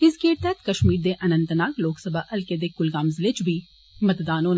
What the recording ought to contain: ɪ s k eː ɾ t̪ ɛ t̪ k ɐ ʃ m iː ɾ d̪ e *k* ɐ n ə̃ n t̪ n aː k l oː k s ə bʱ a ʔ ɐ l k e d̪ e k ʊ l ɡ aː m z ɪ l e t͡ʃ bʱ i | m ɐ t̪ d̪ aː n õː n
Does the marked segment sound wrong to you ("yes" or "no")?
yes